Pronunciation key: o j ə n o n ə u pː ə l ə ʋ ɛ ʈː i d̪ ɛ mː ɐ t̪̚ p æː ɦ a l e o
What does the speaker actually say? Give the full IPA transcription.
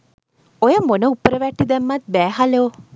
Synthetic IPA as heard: o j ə m o n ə u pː ə ɾ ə ʋ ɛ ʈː i d̪ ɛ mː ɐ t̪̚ b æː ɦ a l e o